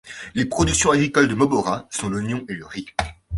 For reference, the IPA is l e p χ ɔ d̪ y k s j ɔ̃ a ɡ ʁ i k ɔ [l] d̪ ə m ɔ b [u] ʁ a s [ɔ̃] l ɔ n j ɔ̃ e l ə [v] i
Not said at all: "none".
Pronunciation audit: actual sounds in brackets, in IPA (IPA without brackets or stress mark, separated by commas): l, ɔ, ɔ̃, ʁ